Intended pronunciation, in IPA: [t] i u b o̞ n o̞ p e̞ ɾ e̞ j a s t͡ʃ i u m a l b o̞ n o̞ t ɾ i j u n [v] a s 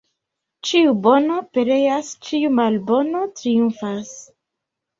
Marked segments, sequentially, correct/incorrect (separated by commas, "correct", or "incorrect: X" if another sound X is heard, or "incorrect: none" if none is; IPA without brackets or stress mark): incorrect: t͡ʃ, incorrect: f